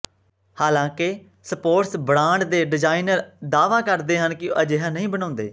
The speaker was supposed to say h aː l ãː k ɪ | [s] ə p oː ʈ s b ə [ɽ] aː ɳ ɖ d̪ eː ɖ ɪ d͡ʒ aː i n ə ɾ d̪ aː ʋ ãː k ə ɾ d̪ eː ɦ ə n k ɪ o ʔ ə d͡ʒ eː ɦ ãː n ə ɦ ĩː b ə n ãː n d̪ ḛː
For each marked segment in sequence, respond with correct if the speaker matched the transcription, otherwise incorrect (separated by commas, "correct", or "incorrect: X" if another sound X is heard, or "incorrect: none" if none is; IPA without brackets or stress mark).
correct, correct